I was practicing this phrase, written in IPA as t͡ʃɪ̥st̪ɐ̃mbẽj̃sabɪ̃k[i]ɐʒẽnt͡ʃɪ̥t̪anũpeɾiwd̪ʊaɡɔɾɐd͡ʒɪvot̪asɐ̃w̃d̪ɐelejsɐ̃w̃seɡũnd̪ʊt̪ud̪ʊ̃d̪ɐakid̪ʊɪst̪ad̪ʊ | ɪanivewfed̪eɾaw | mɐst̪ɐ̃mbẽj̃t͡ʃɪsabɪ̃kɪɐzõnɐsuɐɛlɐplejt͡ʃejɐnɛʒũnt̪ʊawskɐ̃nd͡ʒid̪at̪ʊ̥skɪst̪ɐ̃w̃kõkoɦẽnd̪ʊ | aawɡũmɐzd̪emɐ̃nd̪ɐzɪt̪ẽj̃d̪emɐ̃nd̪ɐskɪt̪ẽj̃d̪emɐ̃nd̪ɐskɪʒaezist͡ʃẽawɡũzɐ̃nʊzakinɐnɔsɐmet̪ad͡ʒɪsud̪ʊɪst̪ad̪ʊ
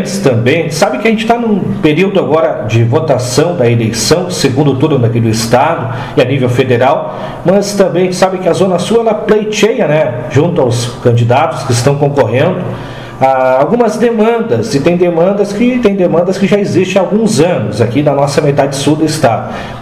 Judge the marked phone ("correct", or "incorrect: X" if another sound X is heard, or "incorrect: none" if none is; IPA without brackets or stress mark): incorrect: ɪ